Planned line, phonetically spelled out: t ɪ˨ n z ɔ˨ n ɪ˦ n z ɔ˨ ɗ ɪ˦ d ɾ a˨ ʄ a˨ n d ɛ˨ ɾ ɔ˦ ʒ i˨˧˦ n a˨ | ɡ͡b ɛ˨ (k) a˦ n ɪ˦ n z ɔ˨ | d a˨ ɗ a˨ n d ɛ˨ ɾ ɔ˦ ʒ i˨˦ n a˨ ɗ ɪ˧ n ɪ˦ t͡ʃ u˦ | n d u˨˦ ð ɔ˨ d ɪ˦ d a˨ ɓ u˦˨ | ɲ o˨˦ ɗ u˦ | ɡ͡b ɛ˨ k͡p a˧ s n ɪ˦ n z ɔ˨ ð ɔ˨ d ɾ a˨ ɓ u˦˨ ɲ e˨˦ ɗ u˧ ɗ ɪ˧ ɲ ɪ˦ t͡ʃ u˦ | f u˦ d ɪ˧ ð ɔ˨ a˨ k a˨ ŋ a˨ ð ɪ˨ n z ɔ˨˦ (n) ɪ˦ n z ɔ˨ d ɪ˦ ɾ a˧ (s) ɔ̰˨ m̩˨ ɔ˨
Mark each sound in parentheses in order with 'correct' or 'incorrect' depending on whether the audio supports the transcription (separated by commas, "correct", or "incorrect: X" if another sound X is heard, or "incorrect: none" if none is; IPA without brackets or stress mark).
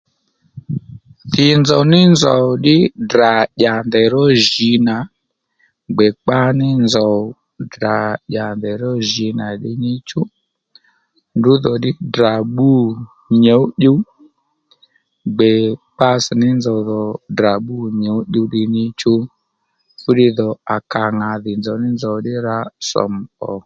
incorrect: k͡p, correct, correct